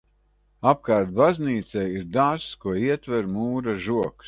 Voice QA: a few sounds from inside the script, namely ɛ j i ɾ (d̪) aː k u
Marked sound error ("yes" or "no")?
no